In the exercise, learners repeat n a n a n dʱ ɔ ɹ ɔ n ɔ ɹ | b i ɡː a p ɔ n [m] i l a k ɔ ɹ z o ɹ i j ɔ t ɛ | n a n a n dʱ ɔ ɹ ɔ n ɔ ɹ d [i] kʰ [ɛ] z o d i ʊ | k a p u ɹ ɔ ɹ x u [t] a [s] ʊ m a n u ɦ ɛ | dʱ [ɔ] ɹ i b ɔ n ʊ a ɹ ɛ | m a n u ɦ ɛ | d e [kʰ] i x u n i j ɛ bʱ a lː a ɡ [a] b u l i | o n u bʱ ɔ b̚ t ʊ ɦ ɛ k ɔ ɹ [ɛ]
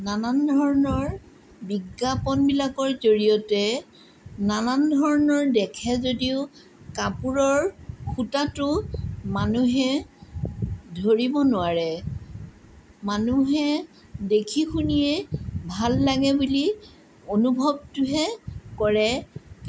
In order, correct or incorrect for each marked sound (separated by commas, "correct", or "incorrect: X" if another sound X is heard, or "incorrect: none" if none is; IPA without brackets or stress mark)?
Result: incorrect: b, incorrect: ɛ, correct, correct, incorrect: t, incorrect: o, correct, incorrect: ɛ, correct